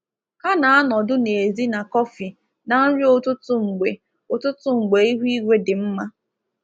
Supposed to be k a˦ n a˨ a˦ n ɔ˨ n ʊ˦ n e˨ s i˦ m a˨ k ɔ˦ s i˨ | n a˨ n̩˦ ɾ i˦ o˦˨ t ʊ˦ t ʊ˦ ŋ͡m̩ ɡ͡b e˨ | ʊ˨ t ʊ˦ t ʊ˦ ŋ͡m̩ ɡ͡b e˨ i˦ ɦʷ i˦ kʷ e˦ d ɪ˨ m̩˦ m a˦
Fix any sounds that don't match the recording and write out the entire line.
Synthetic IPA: k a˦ n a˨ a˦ n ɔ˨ d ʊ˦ n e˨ z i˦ n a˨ k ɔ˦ f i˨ | n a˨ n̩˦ ɾ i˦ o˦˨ t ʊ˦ t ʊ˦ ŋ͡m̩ ɡ͡b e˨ | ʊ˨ t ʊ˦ t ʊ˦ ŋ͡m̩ ɡ͡b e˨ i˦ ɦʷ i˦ ɡʷ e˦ d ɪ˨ m̩˦ m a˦